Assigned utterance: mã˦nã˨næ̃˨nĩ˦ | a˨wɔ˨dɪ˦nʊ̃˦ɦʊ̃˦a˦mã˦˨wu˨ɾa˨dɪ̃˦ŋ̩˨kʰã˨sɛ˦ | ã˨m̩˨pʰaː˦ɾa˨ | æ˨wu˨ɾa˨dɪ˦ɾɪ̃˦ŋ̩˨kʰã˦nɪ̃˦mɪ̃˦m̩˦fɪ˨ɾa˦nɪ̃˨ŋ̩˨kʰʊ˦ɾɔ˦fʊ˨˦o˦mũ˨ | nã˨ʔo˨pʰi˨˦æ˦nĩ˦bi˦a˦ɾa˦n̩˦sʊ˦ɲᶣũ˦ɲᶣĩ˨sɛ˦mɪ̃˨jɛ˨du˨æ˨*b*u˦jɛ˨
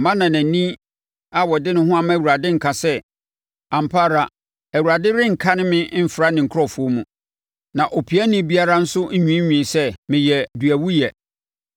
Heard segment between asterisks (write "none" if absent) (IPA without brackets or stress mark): w